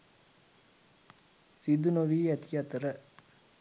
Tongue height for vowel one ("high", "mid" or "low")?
high